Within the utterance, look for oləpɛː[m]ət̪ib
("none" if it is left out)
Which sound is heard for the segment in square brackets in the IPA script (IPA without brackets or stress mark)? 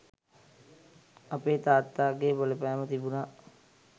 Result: m